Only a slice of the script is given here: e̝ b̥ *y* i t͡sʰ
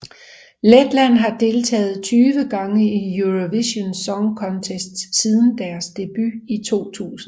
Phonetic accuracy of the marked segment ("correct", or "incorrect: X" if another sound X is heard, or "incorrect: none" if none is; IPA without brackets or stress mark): correct